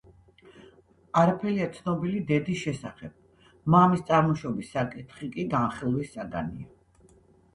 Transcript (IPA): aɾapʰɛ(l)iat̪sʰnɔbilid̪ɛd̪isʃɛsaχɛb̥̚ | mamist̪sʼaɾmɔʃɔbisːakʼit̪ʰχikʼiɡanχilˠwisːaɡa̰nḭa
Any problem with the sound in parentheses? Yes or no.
no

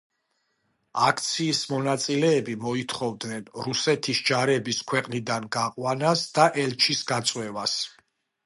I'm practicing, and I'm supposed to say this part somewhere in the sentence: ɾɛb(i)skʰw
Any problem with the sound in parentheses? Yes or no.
no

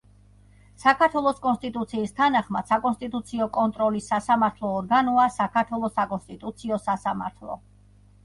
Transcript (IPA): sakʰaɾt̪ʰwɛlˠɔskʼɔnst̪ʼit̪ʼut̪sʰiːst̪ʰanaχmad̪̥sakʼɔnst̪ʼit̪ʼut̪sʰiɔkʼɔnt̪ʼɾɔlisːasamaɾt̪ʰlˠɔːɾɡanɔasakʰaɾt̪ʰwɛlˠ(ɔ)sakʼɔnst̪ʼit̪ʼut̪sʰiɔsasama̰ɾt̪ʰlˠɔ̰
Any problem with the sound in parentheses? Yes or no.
no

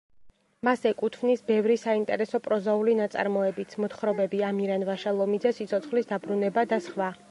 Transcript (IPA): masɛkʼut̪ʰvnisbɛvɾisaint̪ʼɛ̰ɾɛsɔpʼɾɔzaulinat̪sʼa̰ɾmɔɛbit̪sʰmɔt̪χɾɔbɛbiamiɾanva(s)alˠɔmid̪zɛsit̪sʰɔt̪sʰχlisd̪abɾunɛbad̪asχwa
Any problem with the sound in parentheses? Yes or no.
yes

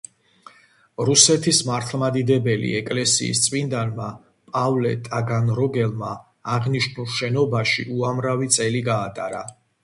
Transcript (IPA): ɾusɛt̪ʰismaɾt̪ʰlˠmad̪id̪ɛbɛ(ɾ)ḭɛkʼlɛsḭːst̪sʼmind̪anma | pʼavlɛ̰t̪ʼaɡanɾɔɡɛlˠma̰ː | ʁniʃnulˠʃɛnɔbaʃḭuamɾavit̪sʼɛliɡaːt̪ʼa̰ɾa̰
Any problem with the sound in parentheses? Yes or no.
yes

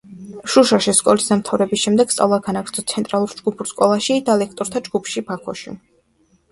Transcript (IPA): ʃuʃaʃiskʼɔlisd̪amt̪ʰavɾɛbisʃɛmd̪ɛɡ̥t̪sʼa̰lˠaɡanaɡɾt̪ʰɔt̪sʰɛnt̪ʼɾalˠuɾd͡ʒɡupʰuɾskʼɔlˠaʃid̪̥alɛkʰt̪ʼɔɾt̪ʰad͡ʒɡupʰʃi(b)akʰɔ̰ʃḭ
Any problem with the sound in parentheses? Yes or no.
no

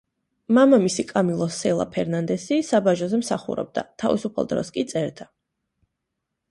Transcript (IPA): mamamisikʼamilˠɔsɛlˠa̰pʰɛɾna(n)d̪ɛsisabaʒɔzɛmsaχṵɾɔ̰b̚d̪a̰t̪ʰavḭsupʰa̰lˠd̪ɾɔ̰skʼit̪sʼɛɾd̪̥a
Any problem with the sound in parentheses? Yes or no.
no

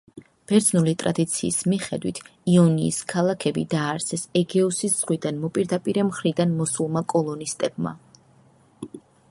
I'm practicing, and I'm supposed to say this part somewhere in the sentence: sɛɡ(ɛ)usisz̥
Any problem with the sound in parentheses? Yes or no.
no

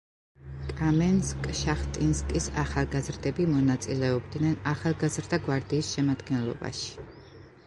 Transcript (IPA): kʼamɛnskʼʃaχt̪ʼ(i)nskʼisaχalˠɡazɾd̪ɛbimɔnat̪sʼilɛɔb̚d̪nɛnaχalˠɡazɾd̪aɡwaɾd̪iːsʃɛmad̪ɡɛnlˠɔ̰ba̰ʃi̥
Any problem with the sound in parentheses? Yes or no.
no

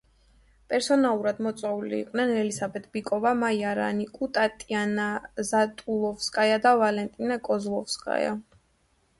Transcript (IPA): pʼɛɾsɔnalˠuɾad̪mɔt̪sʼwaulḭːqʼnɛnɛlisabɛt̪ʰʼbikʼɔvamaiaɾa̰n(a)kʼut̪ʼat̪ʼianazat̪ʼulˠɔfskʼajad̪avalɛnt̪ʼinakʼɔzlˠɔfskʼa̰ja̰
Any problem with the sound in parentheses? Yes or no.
yes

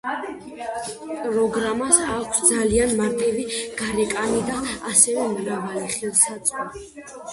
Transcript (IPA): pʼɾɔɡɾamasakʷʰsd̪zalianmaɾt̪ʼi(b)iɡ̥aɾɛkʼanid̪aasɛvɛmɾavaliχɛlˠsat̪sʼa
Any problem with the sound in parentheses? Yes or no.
yes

